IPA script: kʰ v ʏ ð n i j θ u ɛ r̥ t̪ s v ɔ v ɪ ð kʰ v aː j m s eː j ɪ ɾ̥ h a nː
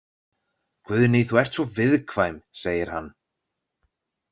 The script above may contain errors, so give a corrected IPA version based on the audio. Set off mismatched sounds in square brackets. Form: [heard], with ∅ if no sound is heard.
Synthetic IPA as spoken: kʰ v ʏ ð n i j θ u ɛ r̥ t̪ s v ɔ v ɪ ð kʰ v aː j m s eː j ɪ ɾ̥ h a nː